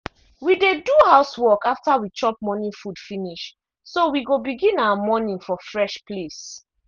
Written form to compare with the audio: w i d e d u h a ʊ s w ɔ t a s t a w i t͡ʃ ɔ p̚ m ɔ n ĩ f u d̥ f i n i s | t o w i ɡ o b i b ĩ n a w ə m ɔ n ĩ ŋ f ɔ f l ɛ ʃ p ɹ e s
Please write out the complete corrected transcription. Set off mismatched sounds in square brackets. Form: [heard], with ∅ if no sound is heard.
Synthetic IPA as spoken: w i d e d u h a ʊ s w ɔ [k] a [f] t a w i t͡ʃ ɔ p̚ m ɔ n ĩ f u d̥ f i n i [ʃ] | [s] o w i ɡ o b i [ɡ] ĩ n a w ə m ɔ n ĩ ŋ f ɔ f [ɹ] ɛ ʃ p [l] e s